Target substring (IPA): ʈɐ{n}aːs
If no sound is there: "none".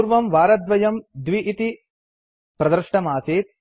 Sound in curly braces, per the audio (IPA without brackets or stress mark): m